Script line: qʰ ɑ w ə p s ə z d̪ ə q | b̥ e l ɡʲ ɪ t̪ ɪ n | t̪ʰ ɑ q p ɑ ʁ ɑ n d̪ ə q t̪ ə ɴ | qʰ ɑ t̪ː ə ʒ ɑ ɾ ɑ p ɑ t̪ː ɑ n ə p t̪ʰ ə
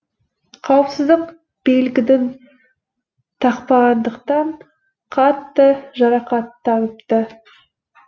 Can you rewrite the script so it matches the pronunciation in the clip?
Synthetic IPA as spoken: qʰ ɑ w ə p s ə z d̪ ə q | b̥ e l ɡʲ ɪ d̪ ɪ n | t̪ʰ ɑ q p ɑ ʁ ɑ n d̪ ə q t̪ ɑ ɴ | qʰ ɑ t̪ː ə ʒ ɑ ɾ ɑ q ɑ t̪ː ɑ n ə p t̪ ə